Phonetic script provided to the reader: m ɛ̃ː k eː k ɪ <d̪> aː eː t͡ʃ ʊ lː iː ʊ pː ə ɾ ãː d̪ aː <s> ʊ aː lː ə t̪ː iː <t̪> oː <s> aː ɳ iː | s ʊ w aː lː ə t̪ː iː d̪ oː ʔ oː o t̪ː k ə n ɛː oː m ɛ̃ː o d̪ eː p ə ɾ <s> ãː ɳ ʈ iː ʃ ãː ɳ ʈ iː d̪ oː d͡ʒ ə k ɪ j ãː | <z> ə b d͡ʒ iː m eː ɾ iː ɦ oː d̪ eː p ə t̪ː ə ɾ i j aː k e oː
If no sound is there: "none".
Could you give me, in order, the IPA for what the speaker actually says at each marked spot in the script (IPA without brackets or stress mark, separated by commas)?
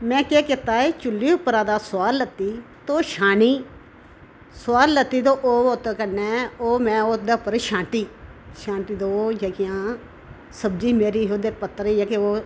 t̪, s, t̪, ʃ, ʃ, s